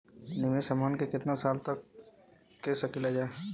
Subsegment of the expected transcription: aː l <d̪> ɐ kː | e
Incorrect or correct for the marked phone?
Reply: incorrect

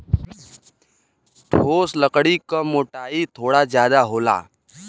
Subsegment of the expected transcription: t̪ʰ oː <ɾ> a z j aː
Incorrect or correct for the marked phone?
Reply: incorrect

